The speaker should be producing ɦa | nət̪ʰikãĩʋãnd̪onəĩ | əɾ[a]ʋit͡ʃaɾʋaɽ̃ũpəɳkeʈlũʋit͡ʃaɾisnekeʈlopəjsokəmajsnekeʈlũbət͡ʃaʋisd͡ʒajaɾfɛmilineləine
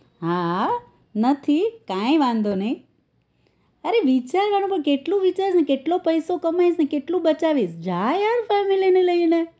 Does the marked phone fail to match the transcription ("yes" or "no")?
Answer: yes